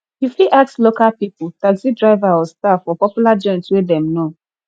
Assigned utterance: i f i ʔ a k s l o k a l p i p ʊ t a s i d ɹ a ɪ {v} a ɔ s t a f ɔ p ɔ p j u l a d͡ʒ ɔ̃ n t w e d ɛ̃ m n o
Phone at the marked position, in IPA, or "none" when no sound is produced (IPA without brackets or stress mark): v